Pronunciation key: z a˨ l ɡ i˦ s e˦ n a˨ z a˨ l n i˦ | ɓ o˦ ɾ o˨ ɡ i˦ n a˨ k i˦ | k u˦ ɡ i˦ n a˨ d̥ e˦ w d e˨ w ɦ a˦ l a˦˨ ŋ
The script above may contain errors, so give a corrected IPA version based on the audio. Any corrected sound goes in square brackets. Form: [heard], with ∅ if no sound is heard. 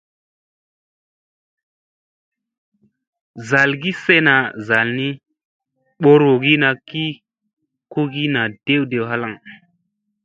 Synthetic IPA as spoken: z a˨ l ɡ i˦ s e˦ n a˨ z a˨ l n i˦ | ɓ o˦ ɾ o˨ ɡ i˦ n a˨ k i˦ | k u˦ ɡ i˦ n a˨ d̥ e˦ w d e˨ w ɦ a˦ l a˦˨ ŋ